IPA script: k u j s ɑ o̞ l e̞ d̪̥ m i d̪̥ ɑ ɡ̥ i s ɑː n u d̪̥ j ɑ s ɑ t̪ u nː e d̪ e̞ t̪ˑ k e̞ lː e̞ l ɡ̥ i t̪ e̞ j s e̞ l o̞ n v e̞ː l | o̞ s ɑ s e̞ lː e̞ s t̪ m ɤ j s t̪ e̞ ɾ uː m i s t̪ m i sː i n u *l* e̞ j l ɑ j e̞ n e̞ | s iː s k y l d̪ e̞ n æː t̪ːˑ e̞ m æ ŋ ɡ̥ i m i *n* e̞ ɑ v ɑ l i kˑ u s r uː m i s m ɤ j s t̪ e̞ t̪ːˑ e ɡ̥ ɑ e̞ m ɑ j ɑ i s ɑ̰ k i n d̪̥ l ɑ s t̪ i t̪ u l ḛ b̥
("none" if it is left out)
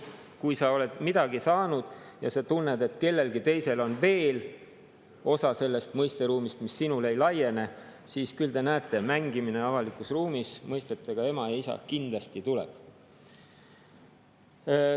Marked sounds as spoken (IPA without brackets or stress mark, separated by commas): l, n